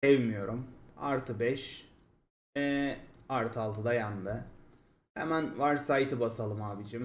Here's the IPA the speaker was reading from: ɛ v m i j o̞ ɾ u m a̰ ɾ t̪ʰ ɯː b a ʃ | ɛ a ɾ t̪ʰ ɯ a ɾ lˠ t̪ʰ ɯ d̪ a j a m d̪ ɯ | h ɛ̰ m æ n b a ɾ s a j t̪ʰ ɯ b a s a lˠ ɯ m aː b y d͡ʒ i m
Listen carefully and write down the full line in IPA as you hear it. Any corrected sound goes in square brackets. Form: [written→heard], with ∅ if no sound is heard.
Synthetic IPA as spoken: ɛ v m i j o̞ ɾ u m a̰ ɾ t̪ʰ [ɯː→ɯ] b [a→ɛ] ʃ | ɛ a ɾ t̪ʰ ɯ a [ɾ→∅] lˠ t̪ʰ ɯ d̪ a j a [m→n] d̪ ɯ | h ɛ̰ m æ n [b→v] a ɾ s a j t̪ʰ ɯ b a s a lˠ ɯ m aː b [y→i] d͡ʒ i m